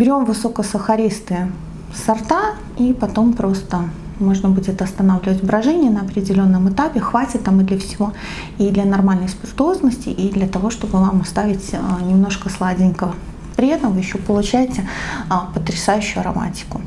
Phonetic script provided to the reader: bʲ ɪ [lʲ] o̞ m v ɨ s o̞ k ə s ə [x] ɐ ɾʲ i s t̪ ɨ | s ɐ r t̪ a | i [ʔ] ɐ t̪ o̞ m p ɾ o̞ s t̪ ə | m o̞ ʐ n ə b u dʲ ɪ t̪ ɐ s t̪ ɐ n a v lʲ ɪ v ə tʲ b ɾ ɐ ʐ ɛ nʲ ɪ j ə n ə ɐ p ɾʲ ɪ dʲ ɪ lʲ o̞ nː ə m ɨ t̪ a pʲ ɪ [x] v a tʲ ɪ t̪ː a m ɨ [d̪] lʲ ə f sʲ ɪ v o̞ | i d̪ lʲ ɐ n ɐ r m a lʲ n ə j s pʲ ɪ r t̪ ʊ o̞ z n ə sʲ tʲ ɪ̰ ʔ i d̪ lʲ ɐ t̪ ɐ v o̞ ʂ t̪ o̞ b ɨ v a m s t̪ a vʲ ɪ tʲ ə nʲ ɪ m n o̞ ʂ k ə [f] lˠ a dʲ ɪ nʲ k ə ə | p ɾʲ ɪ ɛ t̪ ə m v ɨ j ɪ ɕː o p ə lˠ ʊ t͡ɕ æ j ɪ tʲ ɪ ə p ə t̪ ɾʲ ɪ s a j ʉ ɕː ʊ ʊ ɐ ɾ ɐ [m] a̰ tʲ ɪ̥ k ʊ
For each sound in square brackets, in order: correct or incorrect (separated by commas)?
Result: incorrect, correct, incorrect, correct, correct, incorrect, correct